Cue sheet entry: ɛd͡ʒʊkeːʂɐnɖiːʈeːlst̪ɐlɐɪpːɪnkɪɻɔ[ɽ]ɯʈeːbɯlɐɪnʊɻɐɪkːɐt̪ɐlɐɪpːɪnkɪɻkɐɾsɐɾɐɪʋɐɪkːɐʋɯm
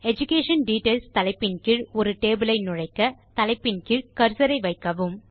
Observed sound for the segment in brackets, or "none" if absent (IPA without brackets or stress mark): ɾ